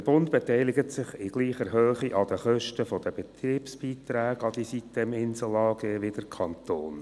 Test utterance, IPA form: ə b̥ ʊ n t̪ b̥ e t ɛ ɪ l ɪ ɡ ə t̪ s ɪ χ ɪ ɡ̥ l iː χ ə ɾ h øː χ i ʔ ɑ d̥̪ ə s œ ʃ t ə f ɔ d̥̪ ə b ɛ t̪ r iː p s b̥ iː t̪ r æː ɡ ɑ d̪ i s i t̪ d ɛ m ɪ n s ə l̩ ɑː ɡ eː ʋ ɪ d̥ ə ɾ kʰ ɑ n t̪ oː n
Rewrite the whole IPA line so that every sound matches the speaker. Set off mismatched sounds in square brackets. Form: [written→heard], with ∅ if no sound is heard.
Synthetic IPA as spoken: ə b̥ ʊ n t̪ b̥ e t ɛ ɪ l ɪ ɡ ə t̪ s ɪ χ ɪ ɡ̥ l iː χ ə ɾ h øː χ i ʔ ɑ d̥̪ ə [s→χ] œ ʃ t ə f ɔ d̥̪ ə b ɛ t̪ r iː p s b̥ iː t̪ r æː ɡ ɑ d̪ i s i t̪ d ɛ m ɪ n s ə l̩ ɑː ɡ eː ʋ ɪ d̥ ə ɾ kʰ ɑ n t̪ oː n